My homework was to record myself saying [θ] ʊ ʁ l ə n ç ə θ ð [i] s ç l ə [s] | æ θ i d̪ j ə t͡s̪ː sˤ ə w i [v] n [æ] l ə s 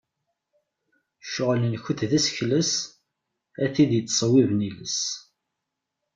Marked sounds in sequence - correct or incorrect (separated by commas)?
incorrect, incorrect, correct, correct, incorrect